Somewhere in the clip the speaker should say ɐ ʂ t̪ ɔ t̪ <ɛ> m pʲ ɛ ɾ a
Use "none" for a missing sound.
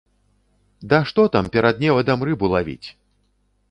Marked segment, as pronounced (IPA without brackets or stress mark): a